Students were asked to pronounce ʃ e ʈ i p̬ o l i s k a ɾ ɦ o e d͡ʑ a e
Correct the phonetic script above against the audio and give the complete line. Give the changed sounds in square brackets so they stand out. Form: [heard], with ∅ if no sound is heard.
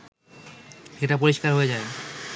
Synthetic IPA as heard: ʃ e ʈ [a] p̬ o [ɾ] i [ʃ] k a ɾ ɦ o e d͡ʑ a e